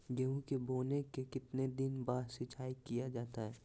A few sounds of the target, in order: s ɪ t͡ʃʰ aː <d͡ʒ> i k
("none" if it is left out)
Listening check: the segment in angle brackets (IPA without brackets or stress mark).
none